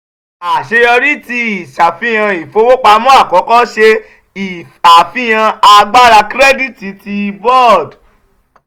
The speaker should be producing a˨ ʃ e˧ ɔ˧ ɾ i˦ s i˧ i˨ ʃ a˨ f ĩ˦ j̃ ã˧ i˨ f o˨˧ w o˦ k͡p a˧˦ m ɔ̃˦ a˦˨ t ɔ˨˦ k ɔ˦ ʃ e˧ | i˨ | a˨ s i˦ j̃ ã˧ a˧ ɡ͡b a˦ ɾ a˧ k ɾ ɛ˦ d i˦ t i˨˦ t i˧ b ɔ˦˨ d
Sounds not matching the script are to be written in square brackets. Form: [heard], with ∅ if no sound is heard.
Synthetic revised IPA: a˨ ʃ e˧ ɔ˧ ɾ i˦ [t] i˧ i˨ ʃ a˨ f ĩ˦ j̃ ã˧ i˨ f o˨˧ w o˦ k͡p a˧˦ m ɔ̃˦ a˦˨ [k] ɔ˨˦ k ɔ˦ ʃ e˧ | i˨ | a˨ [f] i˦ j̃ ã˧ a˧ ɡ͡b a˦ ɾ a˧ k ɾ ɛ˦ d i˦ t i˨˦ t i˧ b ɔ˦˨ d

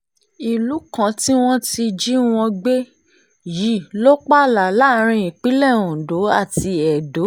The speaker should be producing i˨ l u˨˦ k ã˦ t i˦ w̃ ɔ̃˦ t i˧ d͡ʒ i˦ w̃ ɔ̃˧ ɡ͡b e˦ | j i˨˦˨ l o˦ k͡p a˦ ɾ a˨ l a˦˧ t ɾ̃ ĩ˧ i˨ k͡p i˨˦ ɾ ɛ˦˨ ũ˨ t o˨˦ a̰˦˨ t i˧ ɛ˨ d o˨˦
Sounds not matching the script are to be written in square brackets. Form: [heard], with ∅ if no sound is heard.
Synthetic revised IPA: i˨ l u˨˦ k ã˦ t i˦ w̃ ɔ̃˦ t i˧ d͡ʒ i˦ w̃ ɔ̃˧ ɡ͡b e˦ | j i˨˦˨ l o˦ k͡p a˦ [l] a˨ l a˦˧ [∅] ɾ̃ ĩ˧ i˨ k͡p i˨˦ [l] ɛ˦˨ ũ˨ [d] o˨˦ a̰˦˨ t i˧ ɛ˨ d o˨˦

